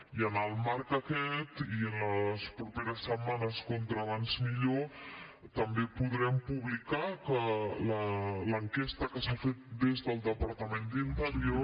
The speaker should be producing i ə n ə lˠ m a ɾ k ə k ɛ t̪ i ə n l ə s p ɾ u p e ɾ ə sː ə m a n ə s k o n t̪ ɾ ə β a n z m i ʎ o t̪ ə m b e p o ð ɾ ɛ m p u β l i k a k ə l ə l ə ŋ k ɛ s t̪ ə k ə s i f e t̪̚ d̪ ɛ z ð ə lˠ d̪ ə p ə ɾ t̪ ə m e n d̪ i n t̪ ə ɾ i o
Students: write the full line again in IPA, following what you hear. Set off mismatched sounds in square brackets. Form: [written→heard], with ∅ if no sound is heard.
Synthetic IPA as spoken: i ə n ə lˠ m a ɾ k ə k ɛ t̪ i ə n l ə s p ɾ u p e ɾ ə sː ə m a n ə s k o n t̪ ɾ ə β a n z m i ʎ o t̪ ə m b e p [o→u] ð ɾ ɛ m p u β l i k a k ə l ə l ə ŋ k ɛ s t̪ ə k ə s [i→a] f e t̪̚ d̪ [ɛ→e] z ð ə lˠ d̪ ə p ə ɾ t̪ ə m e n d̪ i n t̪ ə ɾ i o